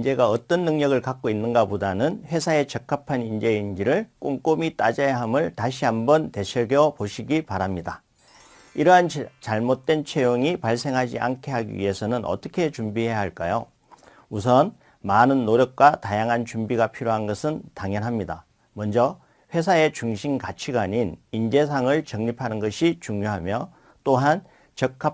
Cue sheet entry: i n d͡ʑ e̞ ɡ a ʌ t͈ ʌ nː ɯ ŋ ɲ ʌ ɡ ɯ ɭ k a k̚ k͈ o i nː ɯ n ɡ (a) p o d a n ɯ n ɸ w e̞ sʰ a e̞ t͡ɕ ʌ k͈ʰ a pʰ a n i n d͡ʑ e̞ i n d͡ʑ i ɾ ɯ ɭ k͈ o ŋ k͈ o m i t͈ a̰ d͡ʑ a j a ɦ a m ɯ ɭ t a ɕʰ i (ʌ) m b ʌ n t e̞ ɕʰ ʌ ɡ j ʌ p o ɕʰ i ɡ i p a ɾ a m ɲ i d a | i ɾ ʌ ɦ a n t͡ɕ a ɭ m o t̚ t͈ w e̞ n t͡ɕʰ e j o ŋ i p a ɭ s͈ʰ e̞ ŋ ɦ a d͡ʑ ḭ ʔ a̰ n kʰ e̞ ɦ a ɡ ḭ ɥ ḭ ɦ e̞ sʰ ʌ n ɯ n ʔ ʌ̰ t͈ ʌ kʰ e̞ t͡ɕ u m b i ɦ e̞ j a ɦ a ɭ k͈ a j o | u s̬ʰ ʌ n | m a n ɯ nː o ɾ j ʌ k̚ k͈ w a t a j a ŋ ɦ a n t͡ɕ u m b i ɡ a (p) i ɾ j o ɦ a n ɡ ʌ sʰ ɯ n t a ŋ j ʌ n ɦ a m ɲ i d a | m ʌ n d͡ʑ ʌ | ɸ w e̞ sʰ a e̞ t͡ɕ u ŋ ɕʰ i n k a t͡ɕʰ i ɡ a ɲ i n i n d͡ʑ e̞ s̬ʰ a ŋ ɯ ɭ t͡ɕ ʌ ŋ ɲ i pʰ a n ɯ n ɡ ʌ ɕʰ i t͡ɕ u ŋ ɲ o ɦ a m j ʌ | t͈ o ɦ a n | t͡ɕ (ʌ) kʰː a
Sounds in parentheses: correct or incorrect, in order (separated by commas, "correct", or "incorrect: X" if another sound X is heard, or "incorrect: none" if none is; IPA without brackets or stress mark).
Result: correct, incorrect: a, incorrect: pʰ, correct